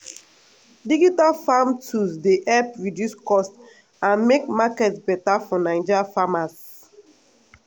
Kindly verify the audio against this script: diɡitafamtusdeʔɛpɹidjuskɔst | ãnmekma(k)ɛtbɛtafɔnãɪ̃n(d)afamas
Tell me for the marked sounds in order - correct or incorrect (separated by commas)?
correct, incorrect